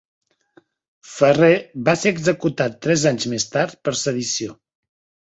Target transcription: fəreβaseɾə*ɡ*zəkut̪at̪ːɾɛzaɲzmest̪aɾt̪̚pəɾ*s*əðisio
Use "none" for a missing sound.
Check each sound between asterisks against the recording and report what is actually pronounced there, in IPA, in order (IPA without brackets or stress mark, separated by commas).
ɡ, s